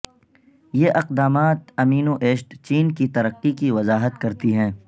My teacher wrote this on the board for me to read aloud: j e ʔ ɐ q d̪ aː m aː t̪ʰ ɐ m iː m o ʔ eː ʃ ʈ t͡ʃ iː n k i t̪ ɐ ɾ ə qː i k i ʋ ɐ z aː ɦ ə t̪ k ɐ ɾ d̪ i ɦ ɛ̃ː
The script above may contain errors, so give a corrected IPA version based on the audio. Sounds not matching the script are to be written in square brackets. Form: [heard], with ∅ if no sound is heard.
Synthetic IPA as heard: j e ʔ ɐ q d̪ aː m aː [t̪] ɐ m iː [n] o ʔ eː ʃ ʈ t͡ʃ iː n k i t̪ ɐ ɾ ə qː i k i ʋ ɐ z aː ɦ ə t̪ k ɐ ɾ [t̪] i ɦ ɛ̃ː